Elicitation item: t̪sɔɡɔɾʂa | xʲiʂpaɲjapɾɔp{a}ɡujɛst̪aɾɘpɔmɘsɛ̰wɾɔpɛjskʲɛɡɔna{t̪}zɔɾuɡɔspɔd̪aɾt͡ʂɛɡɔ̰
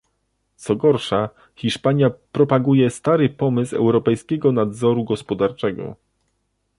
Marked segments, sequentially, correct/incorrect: correct, incorrect: d̪

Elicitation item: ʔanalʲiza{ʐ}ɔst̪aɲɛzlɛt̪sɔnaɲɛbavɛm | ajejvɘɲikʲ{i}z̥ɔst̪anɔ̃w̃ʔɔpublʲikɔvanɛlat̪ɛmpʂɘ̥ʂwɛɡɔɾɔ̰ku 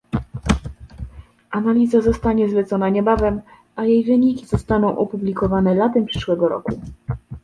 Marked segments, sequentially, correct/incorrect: incorrect: z, correct

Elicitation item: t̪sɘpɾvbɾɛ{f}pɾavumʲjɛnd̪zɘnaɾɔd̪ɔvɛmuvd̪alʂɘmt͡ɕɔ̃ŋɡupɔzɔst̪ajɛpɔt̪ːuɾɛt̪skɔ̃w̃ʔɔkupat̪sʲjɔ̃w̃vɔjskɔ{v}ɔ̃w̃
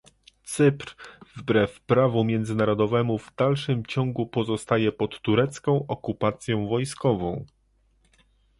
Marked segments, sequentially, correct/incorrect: correct, correct

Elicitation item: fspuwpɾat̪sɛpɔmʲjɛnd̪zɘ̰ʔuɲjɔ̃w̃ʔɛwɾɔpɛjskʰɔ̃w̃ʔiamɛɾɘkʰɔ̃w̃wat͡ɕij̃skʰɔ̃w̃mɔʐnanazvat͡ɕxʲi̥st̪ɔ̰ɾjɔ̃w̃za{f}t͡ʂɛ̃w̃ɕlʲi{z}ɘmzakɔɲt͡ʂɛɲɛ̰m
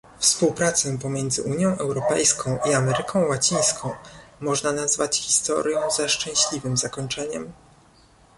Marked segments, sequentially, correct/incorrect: incorrect: ʂ, incorrect: v

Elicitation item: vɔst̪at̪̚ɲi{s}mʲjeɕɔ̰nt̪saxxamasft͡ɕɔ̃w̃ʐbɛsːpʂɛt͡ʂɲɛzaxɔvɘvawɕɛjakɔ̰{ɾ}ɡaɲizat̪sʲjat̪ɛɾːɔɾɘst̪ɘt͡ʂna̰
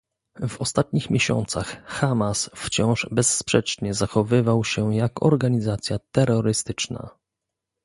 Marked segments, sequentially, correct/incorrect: incorrect: x, correct

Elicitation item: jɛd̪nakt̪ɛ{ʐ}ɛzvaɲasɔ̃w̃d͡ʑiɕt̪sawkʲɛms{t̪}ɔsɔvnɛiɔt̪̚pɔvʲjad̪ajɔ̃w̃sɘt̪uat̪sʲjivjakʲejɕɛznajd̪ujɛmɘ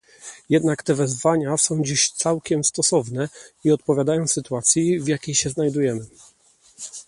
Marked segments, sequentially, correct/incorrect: incorrect: v, correct

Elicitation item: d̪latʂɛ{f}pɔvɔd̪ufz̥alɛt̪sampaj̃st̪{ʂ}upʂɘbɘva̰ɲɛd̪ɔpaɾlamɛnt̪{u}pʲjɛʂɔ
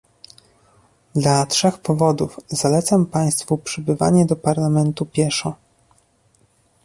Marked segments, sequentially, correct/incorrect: incorrect: x, incorrect: f, correct

